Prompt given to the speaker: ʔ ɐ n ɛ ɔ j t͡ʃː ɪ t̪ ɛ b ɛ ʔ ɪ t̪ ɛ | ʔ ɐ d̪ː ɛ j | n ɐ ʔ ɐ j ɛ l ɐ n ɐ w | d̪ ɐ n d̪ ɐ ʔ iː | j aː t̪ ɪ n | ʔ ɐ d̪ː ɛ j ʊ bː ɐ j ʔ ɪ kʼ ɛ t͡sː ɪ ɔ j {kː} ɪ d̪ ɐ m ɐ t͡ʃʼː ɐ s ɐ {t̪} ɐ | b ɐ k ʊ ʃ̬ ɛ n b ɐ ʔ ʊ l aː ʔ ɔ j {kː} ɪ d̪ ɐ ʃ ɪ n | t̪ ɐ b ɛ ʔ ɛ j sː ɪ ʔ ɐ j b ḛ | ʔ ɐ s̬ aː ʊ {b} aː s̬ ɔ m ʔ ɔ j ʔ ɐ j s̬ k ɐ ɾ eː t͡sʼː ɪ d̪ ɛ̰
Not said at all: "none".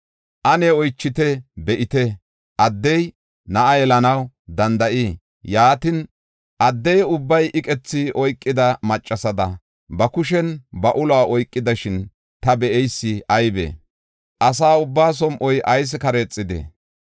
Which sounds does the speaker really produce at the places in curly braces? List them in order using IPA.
kʼː, d̪, kʼː, bː

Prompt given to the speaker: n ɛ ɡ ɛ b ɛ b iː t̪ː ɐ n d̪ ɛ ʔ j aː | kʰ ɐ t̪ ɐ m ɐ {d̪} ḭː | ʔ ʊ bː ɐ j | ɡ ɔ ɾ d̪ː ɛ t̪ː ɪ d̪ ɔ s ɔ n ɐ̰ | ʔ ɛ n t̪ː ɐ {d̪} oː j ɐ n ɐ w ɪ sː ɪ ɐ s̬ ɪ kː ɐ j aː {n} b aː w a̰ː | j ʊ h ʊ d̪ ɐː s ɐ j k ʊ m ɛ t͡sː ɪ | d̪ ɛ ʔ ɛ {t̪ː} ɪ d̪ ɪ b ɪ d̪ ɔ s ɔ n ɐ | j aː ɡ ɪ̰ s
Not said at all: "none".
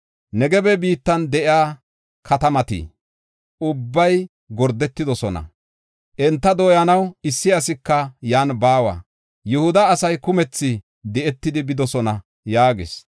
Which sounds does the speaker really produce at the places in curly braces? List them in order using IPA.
t̪, d̪, n, t̪ː

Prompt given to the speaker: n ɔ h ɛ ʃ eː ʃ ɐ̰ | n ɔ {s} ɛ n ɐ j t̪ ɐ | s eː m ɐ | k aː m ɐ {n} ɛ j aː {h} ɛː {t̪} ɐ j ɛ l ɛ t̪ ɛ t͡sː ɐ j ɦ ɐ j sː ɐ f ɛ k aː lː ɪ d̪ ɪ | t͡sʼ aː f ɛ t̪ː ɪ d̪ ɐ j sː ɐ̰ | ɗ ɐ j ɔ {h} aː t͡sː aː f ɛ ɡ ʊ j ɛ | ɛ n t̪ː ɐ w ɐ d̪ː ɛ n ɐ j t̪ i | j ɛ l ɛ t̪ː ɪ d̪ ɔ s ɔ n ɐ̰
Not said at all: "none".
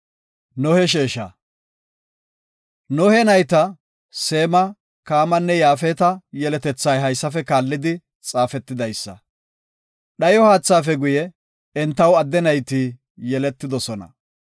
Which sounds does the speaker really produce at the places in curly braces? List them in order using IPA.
h, nː, f, t̪, h

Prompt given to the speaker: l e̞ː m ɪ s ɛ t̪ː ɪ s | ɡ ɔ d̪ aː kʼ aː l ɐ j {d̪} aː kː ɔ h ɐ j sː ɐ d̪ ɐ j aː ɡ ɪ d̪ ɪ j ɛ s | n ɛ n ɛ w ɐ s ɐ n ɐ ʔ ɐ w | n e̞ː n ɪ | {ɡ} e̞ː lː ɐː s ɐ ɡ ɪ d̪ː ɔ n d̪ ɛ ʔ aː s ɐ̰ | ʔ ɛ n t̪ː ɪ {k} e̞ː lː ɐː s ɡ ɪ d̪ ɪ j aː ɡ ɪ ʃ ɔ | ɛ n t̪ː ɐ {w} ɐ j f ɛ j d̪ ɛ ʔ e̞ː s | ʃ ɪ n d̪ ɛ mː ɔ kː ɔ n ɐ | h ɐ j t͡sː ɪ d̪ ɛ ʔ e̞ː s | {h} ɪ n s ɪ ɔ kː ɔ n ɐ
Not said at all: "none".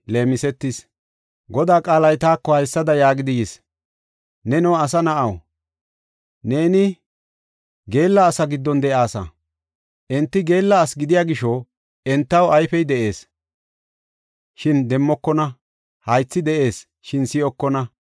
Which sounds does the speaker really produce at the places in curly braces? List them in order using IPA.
t̪, ɡ, ɡ, w, ʃ

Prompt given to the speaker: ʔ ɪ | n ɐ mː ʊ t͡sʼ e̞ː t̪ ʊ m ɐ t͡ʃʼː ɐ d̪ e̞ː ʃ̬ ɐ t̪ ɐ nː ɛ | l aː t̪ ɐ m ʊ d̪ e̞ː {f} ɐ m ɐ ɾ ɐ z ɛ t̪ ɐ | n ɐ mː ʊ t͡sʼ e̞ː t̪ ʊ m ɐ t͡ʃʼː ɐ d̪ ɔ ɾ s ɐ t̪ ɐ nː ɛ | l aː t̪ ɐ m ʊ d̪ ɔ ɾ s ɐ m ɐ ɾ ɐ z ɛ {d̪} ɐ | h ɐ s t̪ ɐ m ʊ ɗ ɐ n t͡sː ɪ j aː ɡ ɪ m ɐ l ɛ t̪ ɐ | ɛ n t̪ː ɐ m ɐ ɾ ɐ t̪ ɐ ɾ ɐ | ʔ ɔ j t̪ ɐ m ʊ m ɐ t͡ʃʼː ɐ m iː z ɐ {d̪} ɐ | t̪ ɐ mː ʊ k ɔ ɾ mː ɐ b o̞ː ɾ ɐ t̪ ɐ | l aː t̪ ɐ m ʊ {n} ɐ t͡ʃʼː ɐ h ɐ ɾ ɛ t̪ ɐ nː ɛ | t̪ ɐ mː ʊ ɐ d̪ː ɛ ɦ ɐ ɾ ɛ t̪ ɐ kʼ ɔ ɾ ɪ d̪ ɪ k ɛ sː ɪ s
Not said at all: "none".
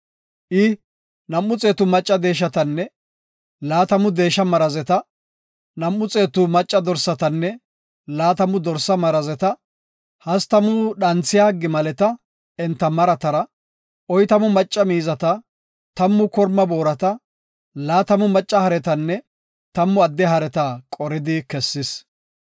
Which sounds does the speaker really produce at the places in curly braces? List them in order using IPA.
ʃ, t̪, t̪, m

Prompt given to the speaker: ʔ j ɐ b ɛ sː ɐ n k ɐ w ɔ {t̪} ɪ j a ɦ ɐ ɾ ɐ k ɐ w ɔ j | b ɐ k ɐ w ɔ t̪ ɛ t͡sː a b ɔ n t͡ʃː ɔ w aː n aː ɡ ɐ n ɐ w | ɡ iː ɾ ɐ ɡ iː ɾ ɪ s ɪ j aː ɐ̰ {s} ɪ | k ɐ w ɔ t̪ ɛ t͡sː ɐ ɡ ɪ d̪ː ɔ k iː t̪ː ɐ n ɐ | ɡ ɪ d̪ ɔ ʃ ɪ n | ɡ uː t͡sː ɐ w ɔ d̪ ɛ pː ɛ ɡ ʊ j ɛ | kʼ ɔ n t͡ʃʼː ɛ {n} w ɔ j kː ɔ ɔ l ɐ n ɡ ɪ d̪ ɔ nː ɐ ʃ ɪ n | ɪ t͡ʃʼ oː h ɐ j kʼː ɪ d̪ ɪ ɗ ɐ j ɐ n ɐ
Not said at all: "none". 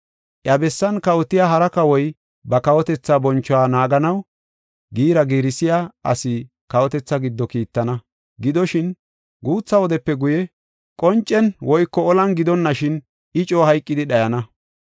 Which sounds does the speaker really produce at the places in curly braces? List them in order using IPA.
t̪, s, n

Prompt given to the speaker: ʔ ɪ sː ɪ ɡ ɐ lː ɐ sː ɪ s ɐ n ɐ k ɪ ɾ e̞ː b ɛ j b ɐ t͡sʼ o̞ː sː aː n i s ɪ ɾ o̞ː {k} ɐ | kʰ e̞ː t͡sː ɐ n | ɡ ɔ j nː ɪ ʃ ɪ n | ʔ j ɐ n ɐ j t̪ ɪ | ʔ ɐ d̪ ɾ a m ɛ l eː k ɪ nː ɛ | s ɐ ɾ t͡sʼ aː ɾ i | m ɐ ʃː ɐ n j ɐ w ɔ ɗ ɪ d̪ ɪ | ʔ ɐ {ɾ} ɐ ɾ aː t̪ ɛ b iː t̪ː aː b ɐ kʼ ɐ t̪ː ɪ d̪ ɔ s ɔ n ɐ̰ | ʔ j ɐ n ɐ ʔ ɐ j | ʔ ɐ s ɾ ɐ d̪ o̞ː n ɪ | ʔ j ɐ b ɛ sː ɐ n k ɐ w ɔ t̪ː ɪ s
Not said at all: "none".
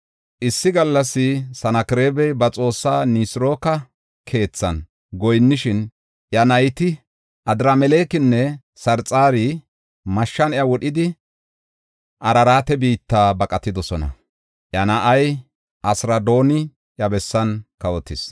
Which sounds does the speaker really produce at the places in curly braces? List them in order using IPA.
k, ɾ

